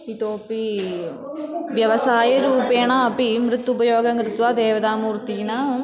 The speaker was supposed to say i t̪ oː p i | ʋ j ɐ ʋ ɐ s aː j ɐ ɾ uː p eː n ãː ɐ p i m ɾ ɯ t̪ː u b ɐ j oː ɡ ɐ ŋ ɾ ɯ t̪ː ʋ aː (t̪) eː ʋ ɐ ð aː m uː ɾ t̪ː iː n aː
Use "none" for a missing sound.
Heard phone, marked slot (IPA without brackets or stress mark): d̪